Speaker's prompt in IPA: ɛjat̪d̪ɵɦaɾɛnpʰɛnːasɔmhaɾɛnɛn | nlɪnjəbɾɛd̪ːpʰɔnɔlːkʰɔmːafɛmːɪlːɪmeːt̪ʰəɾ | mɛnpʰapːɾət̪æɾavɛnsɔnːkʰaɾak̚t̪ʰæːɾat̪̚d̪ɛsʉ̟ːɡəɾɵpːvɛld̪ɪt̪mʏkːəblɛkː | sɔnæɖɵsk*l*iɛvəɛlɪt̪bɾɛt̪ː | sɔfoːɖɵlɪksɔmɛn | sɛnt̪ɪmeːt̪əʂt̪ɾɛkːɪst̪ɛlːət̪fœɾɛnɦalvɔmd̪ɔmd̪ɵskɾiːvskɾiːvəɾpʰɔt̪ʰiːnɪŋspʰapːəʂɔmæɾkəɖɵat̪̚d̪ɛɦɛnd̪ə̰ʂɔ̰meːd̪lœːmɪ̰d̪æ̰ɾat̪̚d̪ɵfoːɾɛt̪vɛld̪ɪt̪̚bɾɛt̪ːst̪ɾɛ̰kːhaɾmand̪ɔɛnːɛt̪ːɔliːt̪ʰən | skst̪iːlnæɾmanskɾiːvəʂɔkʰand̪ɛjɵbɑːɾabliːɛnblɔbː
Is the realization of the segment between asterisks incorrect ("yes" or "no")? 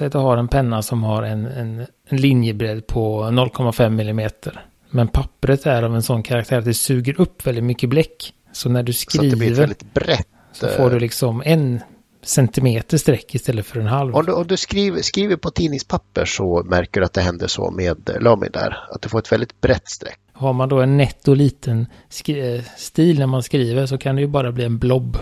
yes